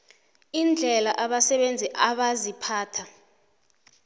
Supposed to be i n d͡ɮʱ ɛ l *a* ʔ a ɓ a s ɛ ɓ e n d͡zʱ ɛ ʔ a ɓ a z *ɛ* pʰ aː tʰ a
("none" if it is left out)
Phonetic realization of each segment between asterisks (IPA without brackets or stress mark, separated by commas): a, i